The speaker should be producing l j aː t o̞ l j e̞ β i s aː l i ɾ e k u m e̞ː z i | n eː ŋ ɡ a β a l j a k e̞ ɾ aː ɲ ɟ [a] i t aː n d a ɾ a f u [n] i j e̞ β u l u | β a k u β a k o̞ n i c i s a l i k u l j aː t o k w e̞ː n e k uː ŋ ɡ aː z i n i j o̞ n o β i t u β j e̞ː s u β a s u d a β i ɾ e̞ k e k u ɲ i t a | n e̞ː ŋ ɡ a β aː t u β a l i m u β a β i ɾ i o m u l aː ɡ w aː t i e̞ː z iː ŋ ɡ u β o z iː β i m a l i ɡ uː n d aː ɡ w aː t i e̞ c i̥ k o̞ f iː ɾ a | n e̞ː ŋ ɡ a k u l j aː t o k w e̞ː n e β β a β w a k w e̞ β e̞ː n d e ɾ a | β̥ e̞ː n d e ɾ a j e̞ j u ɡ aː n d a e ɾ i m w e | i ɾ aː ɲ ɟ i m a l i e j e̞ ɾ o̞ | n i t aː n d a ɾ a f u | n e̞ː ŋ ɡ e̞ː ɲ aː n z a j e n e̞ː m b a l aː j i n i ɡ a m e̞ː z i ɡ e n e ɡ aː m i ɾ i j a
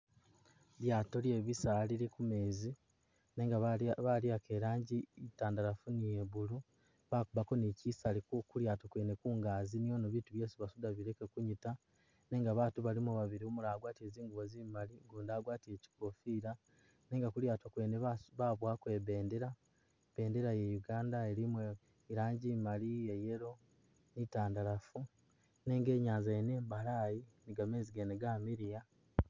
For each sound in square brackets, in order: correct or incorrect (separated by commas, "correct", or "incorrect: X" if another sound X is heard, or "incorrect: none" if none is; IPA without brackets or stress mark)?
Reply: incorrect: i, correct